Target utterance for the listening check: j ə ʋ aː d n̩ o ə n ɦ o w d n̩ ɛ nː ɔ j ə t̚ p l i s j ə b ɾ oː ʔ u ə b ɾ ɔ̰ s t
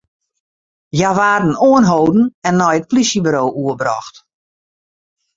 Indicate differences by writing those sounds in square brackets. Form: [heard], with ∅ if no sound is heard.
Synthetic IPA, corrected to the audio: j [a] ʋ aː d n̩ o ə n ɦ o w d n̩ ɛ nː ɔ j ə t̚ p l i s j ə b ɾ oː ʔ u ə b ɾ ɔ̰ [x] t